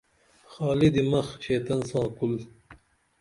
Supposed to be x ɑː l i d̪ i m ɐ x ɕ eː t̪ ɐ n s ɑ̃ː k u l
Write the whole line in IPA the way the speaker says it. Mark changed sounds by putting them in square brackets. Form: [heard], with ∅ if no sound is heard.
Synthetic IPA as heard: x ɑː l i d̪ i m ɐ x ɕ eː t̪ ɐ n s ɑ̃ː k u l